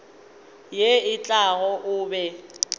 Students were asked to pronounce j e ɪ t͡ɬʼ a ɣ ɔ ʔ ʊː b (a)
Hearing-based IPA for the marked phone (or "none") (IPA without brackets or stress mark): ɛ